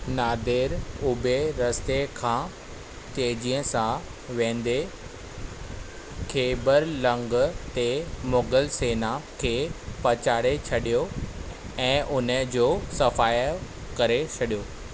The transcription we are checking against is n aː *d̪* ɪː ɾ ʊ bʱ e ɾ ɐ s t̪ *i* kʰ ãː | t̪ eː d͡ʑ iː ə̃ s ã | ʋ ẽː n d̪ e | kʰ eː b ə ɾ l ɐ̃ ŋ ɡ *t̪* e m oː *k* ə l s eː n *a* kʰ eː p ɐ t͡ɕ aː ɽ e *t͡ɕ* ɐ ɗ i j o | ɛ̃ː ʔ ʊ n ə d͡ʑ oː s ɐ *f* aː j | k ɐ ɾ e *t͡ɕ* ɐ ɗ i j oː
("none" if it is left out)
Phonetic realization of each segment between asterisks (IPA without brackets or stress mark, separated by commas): d̪, e, t̪, ɡ, a, t͡ɕʰ, f, t͡ɕʰ